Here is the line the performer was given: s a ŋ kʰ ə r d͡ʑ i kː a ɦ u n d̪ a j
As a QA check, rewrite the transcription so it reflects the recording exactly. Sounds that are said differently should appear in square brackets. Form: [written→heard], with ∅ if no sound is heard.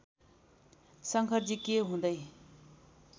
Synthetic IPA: s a ŋ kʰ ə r d͡ʑ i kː [a→e] ɦ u n d̪ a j